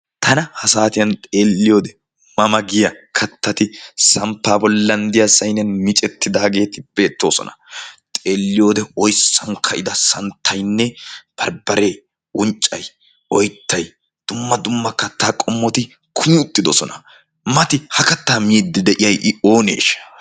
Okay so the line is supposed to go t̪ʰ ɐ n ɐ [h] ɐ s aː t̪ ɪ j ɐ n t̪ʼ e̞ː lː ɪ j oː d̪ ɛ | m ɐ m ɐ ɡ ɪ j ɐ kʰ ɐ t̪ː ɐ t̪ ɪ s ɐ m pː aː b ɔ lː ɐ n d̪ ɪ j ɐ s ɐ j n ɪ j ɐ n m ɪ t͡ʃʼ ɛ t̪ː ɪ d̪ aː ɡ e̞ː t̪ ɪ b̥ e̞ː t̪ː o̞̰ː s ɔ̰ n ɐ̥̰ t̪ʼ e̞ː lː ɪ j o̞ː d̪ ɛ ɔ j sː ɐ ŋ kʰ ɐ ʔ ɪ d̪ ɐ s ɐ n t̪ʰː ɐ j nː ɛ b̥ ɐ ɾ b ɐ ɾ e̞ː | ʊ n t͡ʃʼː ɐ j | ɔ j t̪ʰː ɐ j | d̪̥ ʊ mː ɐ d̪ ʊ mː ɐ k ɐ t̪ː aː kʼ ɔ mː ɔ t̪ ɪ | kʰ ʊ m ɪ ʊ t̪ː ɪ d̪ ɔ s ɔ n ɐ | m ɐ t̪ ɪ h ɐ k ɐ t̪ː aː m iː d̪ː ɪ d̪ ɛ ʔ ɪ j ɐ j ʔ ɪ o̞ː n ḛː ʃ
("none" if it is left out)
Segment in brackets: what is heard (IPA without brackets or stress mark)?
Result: h